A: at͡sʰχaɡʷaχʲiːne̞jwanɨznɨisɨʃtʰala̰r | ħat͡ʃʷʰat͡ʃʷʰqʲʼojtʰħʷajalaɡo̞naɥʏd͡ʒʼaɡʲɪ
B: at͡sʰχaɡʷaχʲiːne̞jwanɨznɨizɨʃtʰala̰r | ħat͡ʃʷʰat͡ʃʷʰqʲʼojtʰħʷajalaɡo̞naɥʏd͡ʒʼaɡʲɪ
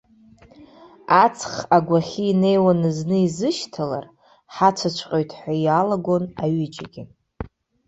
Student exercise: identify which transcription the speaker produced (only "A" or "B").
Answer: B